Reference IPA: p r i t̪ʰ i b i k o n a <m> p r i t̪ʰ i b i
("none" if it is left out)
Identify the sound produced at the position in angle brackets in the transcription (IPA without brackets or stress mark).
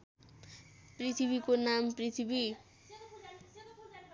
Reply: m